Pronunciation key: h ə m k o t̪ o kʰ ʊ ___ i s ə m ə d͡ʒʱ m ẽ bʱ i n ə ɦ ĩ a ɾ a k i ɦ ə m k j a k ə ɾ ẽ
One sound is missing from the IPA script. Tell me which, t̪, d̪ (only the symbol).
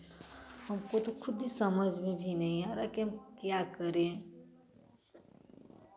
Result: d̪